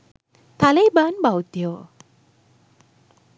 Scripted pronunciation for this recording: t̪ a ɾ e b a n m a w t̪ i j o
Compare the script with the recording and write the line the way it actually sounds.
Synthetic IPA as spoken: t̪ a l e b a n b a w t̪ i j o